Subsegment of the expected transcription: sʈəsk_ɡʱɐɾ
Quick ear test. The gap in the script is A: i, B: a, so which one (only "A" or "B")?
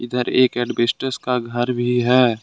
B